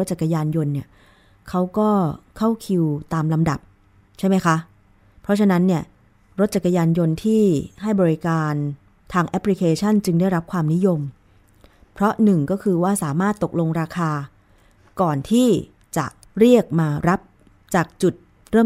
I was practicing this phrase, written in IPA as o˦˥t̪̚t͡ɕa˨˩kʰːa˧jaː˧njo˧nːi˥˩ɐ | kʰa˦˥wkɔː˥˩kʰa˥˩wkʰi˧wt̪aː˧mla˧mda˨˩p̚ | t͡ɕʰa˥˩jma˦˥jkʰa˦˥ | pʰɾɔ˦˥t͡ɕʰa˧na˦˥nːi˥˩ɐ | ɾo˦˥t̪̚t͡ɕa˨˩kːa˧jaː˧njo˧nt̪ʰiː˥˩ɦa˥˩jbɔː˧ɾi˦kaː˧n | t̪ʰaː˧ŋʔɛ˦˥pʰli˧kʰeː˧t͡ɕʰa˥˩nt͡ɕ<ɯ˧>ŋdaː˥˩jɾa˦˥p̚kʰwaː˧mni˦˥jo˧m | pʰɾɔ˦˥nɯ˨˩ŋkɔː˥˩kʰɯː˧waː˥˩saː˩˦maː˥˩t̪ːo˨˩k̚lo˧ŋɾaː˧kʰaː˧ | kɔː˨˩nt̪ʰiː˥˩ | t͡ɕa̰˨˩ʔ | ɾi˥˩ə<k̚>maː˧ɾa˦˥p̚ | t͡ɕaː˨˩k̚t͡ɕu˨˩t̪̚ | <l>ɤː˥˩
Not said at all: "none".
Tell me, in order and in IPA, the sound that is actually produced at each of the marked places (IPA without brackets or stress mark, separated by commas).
ɯ˧, k̚, ɾ